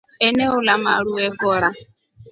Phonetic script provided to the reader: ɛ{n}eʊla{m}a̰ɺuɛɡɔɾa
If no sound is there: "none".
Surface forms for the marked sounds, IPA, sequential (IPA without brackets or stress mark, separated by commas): n, m